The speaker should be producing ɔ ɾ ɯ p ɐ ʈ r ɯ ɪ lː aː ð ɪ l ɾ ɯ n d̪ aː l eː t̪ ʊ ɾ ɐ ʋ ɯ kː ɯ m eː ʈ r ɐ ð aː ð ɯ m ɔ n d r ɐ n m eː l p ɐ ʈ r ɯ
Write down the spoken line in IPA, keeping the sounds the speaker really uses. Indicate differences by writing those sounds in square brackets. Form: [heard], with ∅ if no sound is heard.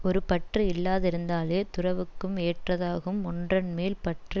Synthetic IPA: ɔ ɾ ɯ p ɐ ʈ r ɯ ɪ lː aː ð ɪ [∅] ɾ ɯ n d̪ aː l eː t̪ ʊ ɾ ɐ ʋ ɯ kː ɯ m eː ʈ r ɐ ð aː [ɣ] ɯ m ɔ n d r ɐ n m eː l p ɐ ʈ r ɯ